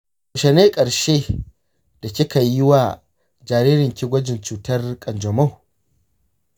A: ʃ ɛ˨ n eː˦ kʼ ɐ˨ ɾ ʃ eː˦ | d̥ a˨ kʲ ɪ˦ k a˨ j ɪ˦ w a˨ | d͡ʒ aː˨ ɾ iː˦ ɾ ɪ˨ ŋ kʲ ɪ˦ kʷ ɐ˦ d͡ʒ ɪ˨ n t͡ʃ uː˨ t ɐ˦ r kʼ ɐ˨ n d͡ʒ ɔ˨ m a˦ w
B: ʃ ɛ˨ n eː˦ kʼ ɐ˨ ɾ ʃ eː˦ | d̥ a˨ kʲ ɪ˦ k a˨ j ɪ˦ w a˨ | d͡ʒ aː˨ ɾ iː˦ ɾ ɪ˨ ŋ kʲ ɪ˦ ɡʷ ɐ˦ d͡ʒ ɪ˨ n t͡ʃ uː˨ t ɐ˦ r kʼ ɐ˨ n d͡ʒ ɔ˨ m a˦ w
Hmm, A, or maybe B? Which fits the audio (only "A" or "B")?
B